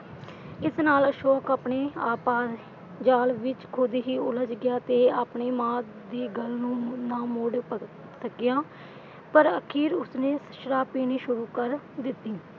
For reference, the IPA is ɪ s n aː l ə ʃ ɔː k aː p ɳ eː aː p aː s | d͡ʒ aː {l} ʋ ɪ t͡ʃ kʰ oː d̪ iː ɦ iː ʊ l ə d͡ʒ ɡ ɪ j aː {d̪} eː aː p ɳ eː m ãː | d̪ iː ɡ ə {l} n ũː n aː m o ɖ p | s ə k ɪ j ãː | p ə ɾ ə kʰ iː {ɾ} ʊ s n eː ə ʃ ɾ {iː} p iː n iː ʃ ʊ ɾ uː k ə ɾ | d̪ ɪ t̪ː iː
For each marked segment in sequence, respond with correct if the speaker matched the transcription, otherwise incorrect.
correct, incorrect: t̪, correct, correct, incorrect: aː

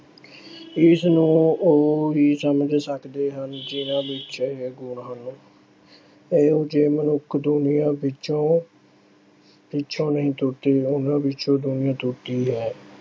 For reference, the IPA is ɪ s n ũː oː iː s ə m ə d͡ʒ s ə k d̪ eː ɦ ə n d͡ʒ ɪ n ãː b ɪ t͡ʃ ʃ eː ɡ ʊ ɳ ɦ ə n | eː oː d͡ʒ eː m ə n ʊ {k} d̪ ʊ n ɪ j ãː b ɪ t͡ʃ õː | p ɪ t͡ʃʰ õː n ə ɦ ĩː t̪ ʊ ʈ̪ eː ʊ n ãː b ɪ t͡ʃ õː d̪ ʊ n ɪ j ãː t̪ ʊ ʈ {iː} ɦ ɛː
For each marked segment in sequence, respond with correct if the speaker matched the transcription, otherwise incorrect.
incorrect: kʰ, correct

